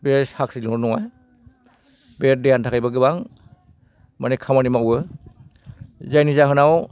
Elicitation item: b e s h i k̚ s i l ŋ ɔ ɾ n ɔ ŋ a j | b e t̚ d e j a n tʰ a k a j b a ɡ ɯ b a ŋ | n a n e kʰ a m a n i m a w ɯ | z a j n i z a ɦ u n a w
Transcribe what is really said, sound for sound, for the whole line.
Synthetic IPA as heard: b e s h a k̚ s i l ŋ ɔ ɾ n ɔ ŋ a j | b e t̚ d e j a n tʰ a k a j b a ɡ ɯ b a ŋ | m a n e kʰ a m a n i m a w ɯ | z a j n i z a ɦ ɯ n a w